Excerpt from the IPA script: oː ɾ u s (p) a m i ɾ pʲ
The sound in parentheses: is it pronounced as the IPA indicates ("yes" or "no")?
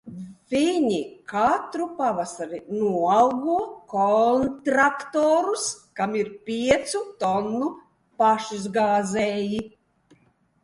no